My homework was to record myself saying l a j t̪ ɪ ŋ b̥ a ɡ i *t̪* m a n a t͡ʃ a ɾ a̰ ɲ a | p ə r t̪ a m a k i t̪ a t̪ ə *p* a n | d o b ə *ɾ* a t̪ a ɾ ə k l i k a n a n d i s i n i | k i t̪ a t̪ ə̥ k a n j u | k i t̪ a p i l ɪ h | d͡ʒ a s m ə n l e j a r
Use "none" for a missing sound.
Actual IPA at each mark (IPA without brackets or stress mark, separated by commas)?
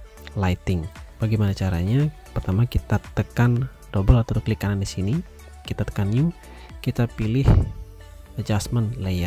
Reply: none, k, l